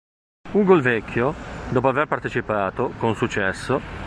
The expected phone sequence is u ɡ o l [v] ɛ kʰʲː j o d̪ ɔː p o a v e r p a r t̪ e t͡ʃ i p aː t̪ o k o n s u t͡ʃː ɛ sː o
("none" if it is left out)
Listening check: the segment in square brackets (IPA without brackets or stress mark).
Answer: v